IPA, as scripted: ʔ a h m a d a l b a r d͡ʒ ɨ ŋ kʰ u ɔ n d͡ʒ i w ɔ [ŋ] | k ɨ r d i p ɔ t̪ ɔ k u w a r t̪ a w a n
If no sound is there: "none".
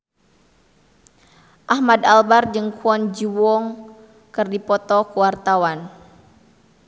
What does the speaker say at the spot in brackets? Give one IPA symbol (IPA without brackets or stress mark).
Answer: ŋ